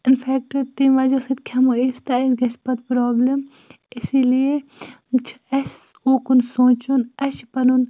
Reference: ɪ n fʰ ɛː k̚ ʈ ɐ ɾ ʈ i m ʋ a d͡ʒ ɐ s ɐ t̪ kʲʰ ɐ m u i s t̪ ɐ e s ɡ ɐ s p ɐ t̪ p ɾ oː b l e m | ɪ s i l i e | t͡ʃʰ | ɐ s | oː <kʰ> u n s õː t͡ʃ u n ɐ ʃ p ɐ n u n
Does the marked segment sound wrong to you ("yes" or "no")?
yes